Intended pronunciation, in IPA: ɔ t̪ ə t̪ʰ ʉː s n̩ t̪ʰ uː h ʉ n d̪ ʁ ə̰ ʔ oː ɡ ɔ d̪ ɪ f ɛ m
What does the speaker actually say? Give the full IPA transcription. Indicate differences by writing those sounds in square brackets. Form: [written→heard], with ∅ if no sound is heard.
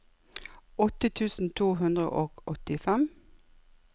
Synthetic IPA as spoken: ɔ t̪ ə t̪ʰ ʉː s n̩ t̪ʰ uː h ʉ n d̪ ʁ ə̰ ʔ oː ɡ ɔ [d̪→t̪] ɪ f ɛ m